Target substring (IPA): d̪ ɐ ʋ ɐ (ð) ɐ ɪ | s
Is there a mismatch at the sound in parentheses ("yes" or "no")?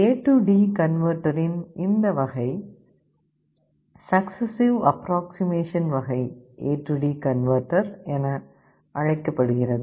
yes